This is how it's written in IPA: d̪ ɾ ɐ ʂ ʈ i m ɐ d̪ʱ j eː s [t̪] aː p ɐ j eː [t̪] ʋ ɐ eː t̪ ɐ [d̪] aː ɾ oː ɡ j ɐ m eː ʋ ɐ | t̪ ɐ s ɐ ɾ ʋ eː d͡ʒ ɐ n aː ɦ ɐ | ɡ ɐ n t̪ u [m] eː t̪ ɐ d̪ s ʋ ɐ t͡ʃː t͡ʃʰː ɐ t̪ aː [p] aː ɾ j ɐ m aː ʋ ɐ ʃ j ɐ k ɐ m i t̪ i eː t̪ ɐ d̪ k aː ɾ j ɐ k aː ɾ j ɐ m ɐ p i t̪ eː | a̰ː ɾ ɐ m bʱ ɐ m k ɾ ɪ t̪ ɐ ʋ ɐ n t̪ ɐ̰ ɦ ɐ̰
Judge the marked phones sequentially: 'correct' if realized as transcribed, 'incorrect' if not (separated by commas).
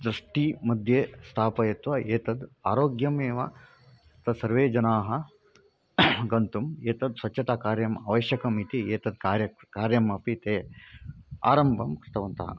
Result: incorrect, correct, correct, correct, incorrect